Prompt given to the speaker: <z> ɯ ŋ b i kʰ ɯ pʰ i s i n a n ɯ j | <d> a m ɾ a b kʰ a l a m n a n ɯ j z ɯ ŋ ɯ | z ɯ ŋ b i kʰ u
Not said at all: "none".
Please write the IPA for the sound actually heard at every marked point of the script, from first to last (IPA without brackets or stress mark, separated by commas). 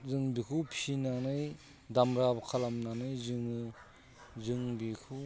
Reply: z, d